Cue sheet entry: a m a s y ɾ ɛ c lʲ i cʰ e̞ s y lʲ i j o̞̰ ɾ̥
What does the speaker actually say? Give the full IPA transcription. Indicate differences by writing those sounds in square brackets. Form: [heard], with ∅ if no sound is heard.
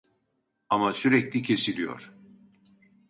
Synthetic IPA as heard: a m a s y ɾ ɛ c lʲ i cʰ e̞ s [i] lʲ i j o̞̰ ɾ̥